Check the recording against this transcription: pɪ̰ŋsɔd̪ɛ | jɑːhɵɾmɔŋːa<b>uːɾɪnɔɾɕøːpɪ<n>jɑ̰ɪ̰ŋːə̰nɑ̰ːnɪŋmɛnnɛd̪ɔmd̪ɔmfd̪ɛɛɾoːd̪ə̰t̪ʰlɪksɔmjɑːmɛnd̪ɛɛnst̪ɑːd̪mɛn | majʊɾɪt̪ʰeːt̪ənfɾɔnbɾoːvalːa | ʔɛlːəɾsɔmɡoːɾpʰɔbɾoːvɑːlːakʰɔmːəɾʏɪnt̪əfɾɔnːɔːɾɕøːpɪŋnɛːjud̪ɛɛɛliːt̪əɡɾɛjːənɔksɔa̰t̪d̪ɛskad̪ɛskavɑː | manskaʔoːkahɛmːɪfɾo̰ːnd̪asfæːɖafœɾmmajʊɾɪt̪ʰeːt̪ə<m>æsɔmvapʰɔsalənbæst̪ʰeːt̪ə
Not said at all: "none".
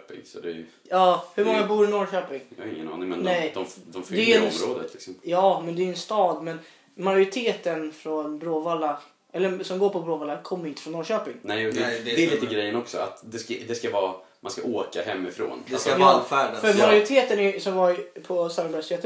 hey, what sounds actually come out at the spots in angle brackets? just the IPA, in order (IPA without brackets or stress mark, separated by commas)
b, ŋ, n